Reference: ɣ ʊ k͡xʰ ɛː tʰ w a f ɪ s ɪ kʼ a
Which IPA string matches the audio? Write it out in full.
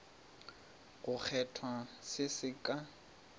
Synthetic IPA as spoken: ɣ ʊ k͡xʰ ɛ tʰ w a s ɪ s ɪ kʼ a